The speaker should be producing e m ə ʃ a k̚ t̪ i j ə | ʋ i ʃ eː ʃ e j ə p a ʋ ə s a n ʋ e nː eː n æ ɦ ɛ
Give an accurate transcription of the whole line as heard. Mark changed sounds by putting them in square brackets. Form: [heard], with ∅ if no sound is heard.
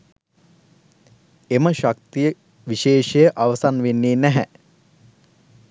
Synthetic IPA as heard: e m ə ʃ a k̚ t̪ i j ə | ʋ i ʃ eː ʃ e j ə [ʔ] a ʋ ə s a n ʋ e nː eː n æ ɦ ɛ